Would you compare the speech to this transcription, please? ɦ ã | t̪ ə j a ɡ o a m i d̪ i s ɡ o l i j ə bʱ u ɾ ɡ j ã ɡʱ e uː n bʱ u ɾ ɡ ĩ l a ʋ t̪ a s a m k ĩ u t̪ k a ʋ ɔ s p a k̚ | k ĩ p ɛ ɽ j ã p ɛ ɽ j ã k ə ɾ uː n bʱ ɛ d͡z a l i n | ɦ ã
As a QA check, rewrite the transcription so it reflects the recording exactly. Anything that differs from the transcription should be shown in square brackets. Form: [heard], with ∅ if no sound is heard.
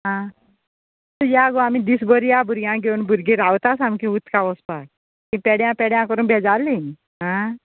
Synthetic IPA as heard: ɦ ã | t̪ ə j a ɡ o a m i d̪ i s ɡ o [ɾ] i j [a] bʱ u ɾ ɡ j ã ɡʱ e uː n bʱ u ɾ ɡ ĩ [ɾ] a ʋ t̪ a s a m k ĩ u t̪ k a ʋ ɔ s p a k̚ | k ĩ p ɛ ɽ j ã p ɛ ɽ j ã k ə ɾ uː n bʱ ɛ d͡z a l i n | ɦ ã